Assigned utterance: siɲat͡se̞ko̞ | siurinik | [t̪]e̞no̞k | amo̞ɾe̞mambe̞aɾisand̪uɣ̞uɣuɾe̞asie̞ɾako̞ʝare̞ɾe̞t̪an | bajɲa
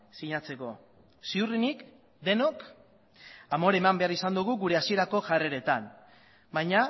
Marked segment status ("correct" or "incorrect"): incorrect